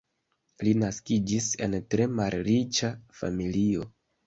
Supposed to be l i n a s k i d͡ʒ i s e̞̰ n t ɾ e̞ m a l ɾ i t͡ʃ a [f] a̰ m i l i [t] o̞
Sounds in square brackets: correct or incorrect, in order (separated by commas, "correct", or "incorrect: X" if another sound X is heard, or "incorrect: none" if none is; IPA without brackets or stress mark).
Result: correct, incorrect: none